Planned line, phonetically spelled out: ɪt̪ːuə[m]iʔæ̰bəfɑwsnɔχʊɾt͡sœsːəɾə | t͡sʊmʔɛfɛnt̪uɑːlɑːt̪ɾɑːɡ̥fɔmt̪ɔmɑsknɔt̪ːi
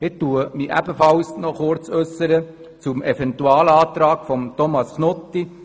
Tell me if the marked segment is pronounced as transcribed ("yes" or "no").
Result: yes